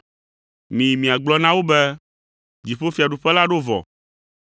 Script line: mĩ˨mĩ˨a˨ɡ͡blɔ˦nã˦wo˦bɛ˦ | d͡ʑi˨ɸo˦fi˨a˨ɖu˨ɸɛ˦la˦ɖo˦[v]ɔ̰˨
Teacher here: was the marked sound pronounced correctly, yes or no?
yes